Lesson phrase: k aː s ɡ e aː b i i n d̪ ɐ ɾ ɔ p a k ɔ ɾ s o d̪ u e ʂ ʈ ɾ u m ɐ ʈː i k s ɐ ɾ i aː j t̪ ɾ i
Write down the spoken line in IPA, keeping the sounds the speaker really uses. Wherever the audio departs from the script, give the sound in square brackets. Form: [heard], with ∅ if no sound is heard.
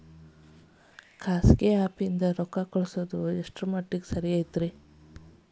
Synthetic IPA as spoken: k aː s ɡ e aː [p] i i n d̪ ɐ ɾ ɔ [k] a k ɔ [ɭ] s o d̪ u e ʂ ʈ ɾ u m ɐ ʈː i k s ɐ ɾ i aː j t̪ ɾ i